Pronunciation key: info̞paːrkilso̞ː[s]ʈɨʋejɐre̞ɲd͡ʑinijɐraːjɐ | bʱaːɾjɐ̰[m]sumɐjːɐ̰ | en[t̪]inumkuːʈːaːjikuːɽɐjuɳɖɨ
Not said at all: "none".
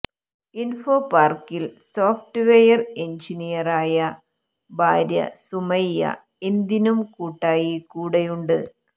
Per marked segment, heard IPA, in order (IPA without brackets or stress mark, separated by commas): f, none, d̪